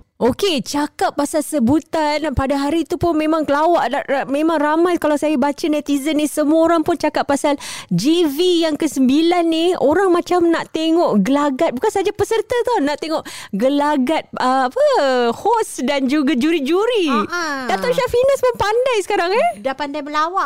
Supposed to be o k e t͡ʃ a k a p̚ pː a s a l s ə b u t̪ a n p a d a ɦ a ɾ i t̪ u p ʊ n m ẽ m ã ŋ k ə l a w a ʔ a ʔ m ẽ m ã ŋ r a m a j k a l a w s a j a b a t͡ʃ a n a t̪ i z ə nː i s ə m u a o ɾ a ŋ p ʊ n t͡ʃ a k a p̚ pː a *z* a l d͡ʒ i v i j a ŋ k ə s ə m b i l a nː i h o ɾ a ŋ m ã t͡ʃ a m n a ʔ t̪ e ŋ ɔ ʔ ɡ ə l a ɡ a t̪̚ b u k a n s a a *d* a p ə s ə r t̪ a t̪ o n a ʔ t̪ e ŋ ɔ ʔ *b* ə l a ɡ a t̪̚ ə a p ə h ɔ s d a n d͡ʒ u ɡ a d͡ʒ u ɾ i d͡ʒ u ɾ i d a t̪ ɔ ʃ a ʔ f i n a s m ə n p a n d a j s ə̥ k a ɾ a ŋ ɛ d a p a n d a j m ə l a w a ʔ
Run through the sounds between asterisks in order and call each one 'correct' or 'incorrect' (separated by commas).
incorrect, incorrect, incorrect